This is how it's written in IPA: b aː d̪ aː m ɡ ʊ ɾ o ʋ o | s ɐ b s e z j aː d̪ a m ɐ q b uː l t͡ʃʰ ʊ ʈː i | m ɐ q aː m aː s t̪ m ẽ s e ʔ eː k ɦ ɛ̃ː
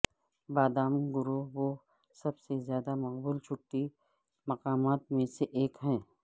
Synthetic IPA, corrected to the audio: b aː d̪ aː m ɡ ʊ ɾ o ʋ o | s ɐ b s e z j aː d̪ a m ɐ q b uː l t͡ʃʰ ʊ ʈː i | m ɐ q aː m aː t̪ m ẽ s e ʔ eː k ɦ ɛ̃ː